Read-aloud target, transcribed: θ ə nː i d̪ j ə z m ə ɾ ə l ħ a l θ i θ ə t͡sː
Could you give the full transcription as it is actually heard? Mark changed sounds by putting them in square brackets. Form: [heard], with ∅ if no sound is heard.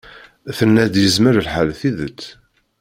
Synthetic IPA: θ ə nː [æ] d̪ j ə z m ə ɾ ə l ħ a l θ i [ð] ə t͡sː